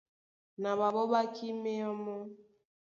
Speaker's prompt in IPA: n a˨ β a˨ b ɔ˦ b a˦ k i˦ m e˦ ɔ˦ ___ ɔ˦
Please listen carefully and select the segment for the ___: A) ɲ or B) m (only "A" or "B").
B